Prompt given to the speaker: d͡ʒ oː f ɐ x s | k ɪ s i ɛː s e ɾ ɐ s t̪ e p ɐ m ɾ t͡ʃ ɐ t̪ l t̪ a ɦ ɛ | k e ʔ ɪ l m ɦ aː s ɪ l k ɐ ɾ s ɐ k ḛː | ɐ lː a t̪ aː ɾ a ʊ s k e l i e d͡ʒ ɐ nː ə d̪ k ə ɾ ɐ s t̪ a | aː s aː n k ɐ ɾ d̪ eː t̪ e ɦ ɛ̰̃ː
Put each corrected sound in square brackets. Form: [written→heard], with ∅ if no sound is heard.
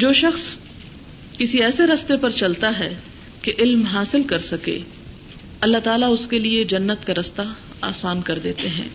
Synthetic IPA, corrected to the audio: d͡ʒ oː [f→ʃ] ɐ x s | k ɪ s i ɛː s e ɾ ɐ s t̪ e p ɐ [m→∅] ɾ t͡ʃ ɐ [t̪→∅] l t̪ a ɦ ɛ | k e ʔ ɪ l m ɦ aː s ɪ l k ɐ ɾ s ɐ k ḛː | ɐ lː a t̪ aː [ɾ→l] a ʊ s k e l i e d͡ʒ ɐ nː ə [d̪→t̪] k [ə→a] ɾ ɐ s t̪ a | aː s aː n k ɐ ɾ d̪ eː t̪ e ɦ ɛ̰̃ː